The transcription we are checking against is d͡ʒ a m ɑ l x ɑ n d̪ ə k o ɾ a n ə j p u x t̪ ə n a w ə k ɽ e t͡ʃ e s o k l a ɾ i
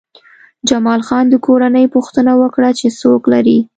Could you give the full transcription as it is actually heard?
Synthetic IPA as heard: d͡ʒ a m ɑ l x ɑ n d̪ ə k o ɾ a n ə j p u x t̪ ə n a w ə k ɽ a t͡ʃ e s o k l a ɾ i